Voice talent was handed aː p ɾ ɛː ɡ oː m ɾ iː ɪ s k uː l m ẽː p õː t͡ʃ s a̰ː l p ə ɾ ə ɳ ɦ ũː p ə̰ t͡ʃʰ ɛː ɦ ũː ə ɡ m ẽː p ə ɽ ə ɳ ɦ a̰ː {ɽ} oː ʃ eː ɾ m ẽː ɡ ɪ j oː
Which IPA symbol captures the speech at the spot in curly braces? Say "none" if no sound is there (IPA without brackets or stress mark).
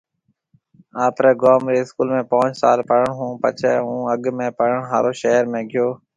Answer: ɾ